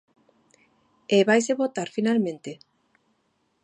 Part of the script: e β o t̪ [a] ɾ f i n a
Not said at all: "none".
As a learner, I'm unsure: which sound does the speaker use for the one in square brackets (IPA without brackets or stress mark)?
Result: a